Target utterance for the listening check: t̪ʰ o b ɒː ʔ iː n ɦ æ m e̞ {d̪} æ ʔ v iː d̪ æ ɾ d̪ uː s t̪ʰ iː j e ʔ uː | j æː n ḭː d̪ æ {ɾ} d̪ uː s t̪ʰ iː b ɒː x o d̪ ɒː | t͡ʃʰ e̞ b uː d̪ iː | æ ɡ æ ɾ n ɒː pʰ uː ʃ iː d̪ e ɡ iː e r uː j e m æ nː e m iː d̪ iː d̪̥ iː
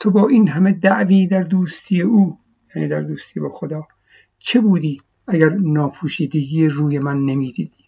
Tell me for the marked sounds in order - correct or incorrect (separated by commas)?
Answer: correct, correct